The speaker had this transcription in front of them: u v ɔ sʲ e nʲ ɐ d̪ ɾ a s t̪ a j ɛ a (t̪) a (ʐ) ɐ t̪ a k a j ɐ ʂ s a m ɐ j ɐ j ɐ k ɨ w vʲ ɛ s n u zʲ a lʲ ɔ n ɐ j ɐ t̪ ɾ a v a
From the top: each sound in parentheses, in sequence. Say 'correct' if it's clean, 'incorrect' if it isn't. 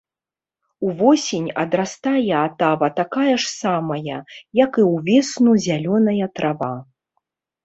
correct, incorrect

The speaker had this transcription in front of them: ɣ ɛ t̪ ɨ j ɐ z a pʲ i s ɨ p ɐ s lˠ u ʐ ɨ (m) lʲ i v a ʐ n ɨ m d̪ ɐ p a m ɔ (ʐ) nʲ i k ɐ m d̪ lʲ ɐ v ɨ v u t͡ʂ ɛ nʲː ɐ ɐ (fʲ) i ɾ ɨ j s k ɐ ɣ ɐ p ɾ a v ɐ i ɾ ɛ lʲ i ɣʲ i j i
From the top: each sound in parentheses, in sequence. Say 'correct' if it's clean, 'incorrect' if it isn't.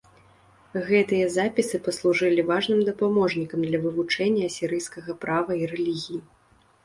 incorrect, correct, incorrect

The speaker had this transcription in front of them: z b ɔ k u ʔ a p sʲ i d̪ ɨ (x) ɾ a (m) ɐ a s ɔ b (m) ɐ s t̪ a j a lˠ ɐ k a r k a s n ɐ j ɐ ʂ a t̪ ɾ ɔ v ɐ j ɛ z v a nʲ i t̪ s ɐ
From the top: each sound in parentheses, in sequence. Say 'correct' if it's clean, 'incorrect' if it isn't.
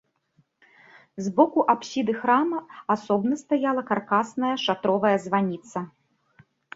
correct, correct, incorrect

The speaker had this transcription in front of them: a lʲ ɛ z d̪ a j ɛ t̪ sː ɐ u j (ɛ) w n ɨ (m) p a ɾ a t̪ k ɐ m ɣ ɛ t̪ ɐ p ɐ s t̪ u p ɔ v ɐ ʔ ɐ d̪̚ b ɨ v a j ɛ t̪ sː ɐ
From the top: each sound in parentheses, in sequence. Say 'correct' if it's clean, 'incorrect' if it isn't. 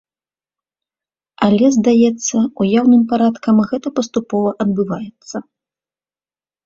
incorrect, correct

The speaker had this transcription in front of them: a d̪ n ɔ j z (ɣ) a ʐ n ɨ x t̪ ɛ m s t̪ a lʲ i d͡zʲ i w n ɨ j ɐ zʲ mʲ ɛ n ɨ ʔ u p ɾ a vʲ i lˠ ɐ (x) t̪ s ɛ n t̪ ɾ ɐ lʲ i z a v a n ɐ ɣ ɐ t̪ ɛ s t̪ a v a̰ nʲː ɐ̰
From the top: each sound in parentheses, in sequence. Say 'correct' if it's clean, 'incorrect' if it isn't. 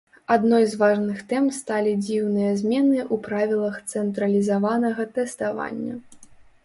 incorrect, correct

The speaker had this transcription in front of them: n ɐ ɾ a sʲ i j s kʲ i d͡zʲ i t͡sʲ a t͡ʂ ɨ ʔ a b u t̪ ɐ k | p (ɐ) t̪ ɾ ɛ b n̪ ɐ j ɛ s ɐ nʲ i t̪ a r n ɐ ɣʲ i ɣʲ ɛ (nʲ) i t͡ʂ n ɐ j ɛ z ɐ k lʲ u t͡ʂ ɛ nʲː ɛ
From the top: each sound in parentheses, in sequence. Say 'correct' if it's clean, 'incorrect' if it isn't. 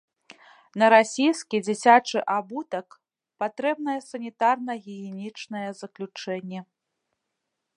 incorrect, correct

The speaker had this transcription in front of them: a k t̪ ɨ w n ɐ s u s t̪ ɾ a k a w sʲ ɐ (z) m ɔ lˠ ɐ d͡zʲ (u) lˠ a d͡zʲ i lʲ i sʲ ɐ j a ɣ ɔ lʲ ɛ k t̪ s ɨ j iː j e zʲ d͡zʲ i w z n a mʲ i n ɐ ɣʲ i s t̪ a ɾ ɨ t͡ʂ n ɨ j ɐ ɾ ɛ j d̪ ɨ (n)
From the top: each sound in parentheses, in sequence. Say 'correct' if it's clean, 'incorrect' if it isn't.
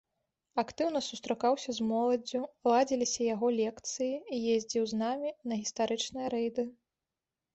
correct, correct, incorrect

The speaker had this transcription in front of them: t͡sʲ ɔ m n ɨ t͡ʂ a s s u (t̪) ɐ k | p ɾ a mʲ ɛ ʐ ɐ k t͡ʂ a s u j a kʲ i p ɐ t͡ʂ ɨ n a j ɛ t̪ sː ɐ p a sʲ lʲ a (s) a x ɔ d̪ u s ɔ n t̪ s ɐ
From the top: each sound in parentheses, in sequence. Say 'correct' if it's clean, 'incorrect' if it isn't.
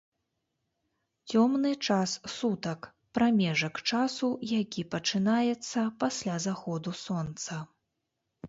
correct, incorrect

